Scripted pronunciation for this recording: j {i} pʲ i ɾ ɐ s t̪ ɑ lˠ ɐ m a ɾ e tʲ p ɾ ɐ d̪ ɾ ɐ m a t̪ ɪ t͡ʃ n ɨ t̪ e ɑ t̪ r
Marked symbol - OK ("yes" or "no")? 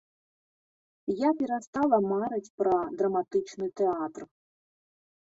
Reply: no